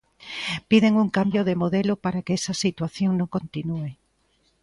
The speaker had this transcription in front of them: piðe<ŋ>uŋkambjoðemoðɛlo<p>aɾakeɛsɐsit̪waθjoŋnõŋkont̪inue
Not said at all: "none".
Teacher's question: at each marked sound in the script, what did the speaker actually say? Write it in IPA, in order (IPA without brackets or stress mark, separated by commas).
ŋ, p